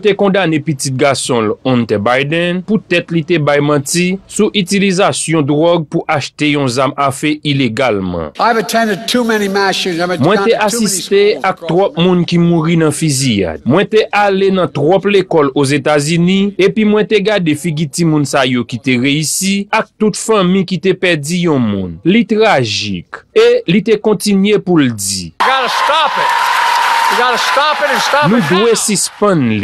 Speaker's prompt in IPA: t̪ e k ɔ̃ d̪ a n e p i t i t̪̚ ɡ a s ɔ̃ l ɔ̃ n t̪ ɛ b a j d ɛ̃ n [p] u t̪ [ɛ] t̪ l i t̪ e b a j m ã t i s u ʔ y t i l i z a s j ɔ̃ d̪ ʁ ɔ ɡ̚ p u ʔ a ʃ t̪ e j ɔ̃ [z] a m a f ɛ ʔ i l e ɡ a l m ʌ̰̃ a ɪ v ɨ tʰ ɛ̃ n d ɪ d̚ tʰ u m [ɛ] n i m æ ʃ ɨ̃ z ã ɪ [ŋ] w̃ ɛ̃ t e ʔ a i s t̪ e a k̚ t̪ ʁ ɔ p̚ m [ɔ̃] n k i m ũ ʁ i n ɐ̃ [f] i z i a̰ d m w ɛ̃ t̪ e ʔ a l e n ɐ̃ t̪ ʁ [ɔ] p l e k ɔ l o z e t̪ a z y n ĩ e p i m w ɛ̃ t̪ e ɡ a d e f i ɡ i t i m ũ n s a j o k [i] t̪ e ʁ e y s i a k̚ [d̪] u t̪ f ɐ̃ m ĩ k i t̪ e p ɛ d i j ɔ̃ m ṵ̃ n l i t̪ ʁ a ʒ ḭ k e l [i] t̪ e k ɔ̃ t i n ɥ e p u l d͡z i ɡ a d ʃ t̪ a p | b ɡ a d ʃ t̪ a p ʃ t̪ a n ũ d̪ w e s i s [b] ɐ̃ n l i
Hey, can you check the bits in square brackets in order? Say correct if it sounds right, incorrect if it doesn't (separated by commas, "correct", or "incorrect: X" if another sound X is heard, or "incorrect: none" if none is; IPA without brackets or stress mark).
correct, correct, correct, correct, incorrect: m, incorrect: ũ, correct, correct, correct, incorrect: t̪, correct, incorrect: p